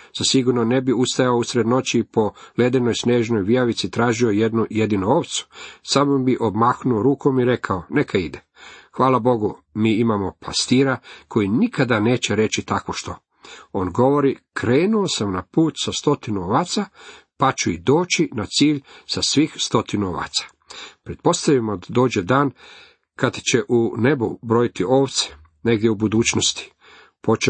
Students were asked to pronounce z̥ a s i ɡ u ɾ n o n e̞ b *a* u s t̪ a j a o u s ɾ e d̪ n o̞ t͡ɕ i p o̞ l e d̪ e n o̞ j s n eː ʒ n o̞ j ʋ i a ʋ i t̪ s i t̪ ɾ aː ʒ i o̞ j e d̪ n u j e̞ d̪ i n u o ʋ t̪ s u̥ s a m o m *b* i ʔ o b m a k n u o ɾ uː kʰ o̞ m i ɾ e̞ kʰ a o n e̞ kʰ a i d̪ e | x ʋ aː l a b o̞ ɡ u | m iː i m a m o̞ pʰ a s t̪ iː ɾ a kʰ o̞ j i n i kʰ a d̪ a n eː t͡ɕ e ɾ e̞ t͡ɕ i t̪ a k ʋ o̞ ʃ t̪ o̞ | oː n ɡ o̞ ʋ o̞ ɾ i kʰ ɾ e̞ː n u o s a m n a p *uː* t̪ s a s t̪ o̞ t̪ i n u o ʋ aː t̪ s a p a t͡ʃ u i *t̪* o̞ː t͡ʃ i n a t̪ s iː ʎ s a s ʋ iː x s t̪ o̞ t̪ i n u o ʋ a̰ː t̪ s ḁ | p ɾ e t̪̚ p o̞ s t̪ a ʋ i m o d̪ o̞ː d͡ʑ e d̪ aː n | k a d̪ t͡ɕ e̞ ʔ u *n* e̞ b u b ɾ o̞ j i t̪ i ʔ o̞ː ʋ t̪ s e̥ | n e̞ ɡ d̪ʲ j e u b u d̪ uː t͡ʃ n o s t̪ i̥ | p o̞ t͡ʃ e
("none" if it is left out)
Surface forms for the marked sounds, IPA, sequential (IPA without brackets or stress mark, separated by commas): i, b, uː, d̪, n